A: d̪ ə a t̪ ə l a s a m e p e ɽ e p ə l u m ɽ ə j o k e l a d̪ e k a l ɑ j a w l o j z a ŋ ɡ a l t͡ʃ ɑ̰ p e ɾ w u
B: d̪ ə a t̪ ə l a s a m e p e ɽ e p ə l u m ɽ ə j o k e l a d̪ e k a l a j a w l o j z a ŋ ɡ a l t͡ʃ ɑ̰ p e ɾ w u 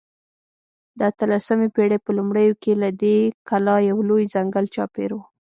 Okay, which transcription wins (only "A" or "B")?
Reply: A